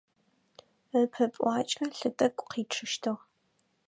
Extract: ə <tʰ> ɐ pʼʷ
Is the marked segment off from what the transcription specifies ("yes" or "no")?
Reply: yes